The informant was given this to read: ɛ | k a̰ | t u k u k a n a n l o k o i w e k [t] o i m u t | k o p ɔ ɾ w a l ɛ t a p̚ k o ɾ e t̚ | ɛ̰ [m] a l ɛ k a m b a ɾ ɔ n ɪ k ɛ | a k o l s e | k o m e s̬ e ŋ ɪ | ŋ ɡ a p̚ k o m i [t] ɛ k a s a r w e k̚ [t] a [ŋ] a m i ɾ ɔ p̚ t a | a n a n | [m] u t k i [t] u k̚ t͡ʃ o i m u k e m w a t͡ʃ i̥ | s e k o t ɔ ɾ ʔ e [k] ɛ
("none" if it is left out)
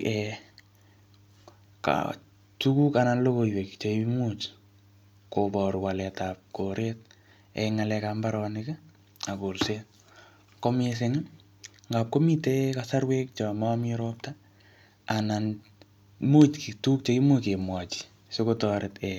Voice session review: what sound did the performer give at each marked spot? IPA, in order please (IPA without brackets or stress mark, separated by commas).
t͡ʃ, ŋ, t, t͡ʃ, m, m, t, t